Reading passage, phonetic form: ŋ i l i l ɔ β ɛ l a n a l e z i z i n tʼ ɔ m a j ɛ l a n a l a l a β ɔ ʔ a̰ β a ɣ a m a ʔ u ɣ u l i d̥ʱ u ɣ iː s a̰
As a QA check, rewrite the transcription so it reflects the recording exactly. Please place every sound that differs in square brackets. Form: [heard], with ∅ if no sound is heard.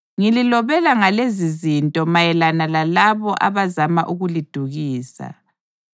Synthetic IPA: ŋ i l i l ɔ β ɛ l a [ŋ] a l e z i z i n tʼ ɔ m a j ɛ l a n a l a l a β ɔ ʔ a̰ β a [z] a m a ʔ u ɣ u l i d̥ʱ u ɣ iː s a̰